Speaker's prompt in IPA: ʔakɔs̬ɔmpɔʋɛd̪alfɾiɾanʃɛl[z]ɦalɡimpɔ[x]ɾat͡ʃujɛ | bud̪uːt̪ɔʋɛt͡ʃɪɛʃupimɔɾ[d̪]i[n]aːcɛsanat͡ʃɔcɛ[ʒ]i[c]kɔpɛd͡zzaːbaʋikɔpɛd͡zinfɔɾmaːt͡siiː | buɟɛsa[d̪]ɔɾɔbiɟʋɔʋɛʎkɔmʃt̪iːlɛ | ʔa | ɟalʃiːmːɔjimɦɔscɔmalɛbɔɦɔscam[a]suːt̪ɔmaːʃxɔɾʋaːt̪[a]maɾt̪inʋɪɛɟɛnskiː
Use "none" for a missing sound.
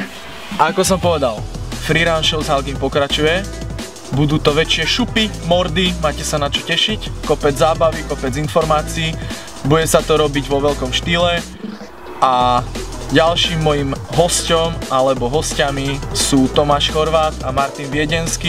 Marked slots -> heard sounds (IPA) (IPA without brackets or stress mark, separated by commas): z, k, d̪, m, ʃ, c, t̪, i, a